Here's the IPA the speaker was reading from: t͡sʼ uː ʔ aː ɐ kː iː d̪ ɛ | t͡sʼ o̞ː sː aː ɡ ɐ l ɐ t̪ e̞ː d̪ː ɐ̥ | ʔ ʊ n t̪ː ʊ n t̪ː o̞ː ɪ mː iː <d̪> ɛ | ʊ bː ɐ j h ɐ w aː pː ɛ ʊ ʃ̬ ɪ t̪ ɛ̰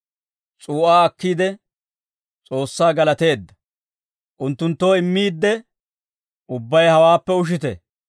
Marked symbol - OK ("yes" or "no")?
no